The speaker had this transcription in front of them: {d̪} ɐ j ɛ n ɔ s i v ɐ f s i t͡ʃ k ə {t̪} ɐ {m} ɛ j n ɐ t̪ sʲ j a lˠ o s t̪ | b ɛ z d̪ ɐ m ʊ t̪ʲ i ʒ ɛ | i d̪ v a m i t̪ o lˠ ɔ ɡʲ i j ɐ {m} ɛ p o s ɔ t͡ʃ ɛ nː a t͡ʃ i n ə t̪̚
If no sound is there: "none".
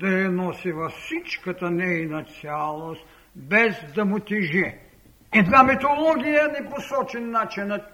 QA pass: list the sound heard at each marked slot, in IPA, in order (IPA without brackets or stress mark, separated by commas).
d̪, t̪, n, n